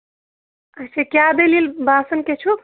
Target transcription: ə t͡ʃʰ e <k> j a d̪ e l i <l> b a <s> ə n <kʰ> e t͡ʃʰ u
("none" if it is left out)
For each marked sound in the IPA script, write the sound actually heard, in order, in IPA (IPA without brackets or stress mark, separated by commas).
k, l, s, k